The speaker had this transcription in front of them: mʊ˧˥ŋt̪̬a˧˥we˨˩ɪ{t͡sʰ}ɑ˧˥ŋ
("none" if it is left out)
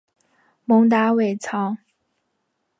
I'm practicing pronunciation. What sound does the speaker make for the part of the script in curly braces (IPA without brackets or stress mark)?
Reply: t͡sʰ